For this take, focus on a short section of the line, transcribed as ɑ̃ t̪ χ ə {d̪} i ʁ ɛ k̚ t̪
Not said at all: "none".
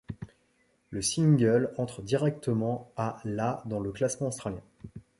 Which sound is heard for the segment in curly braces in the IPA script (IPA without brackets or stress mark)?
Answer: d̪